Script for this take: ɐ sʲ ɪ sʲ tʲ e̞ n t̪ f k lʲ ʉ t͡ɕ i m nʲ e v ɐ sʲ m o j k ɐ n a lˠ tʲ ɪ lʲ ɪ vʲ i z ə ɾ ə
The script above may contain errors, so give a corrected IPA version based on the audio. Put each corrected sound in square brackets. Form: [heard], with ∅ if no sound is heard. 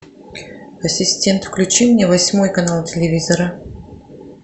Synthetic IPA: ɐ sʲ ɪ sʲ tʲ e̞ n t̪ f k lʲ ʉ t͡ɕ i m nʲ e v ɐ sʲ m o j k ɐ n a lˠ tʲ ɪ lʲ ɪ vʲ i z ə ɾ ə